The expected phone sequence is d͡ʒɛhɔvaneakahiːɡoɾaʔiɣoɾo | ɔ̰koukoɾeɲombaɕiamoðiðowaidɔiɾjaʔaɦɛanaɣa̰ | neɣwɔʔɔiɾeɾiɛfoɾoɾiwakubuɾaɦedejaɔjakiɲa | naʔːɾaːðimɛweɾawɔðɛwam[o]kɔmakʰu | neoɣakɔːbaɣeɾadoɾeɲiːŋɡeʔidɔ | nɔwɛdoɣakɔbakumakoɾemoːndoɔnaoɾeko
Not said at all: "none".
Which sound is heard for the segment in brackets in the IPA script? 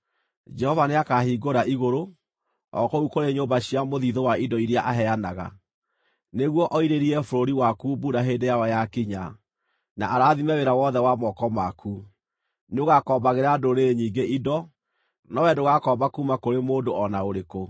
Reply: ɔ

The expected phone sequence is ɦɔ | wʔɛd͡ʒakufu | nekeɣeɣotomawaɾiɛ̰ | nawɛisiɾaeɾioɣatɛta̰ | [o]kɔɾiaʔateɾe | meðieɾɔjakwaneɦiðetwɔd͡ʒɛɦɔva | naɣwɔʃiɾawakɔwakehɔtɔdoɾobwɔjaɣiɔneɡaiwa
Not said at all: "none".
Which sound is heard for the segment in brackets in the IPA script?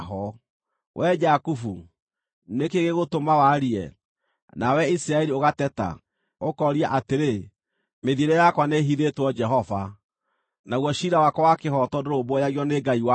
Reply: o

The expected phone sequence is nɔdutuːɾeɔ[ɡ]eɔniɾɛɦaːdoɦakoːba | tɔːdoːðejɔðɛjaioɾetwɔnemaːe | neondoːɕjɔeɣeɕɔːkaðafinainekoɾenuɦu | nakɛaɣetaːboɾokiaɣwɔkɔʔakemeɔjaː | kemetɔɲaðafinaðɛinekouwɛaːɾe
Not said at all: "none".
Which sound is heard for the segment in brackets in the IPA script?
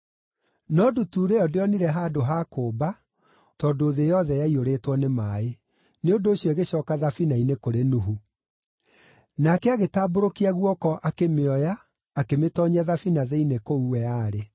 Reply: d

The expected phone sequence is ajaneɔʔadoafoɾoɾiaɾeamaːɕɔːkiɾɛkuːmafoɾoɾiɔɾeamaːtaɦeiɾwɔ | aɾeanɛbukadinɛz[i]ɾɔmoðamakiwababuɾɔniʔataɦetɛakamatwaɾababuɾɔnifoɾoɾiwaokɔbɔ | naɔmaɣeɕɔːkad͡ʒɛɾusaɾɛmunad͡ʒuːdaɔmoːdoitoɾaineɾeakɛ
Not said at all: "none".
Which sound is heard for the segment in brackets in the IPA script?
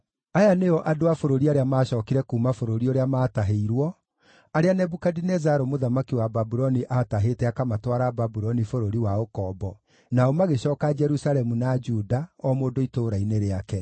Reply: a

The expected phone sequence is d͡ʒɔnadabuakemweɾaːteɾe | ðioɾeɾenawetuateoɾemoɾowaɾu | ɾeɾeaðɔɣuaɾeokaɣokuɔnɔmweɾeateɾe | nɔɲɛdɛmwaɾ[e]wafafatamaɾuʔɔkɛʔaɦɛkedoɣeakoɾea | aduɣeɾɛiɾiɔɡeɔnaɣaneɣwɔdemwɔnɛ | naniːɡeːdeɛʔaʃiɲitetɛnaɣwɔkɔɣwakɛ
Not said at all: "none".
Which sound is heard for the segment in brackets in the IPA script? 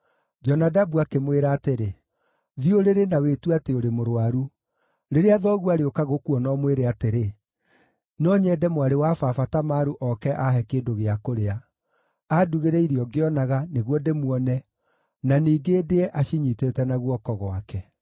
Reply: e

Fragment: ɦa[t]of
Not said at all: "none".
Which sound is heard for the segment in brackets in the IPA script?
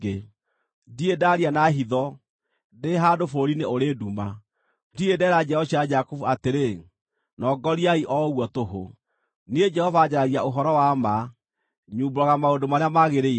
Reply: d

